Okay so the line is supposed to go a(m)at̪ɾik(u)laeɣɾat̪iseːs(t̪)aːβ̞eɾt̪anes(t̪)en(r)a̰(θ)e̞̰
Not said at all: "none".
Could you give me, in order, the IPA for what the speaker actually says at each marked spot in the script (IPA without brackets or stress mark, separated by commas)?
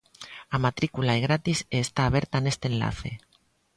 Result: m, u, t̪, t̪, l, θ